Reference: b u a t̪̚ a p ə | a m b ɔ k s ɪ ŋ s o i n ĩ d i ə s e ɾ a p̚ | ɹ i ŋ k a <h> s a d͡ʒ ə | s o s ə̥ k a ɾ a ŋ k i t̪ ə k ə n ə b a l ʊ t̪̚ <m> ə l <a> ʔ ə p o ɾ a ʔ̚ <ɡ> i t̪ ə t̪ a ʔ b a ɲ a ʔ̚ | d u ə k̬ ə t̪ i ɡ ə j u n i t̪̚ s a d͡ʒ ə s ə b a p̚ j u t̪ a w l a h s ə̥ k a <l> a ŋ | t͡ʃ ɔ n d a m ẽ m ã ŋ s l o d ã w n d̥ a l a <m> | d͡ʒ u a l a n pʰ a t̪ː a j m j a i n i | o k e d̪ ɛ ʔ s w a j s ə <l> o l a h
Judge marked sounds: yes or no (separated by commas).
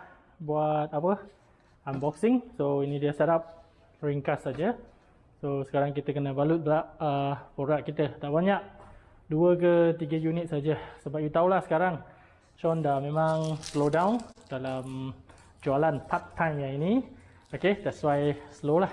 no, no, yes, no, no, yes, yes